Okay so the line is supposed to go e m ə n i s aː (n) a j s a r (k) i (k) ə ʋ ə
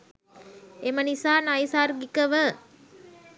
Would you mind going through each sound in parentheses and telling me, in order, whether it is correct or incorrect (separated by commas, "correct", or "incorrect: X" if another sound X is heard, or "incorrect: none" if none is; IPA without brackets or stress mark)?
correct, incorrect: ɡ, correct